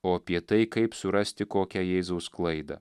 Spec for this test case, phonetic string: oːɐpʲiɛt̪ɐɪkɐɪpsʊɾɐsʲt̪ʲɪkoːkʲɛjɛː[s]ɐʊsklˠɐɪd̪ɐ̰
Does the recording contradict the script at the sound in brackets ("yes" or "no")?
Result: yes